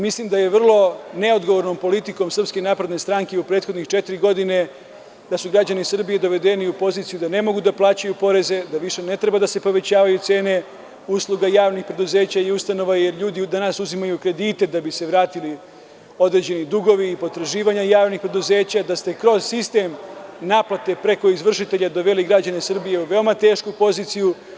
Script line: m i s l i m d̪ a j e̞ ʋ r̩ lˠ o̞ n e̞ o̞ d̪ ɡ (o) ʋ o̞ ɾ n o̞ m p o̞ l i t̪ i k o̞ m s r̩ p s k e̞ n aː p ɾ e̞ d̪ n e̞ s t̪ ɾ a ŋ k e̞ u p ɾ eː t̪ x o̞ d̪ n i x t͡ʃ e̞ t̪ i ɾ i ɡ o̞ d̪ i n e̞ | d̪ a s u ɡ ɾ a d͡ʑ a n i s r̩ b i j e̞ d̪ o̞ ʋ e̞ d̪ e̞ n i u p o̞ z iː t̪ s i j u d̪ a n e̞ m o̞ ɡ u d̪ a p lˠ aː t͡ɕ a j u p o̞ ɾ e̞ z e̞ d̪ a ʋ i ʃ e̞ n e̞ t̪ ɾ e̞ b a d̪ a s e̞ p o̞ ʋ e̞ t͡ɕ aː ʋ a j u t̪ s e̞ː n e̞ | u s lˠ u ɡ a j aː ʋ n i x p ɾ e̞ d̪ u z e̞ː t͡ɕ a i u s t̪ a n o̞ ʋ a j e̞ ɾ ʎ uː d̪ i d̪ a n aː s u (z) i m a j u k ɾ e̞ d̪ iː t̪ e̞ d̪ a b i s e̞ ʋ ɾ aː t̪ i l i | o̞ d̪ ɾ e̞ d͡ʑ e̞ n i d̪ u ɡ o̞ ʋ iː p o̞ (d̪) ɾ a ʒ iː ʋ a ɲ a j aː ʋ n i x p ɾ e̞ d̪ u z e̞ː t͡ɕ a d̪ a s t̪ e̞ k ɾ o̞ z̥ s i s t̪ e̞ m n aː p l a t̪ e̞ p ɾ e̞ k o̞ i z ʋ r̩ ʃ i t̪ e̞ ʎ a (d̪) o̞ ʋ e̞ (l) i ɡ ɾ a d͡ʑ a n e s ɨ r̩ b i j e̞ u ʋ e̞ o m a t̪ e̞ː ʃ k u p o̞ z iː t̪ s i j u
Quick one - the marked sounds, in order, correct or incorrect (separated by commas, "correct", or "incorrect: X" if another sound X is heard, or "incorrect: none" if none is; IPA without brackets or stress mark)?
correct, correct, incorrect: t̪, correct, correct